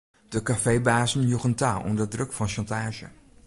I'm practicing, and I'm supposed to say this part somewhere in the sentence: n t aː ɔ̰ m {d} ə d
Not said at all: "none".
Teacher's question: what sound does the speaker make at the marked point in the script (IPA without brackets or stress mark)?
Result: d